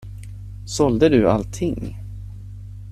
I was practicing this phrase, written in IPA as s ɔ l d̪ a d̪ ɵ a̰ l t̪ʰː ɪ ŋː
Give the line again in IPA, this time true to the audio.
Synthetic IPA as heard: s ɔ l d̪ ə d̪ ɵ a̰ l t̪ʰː ɪ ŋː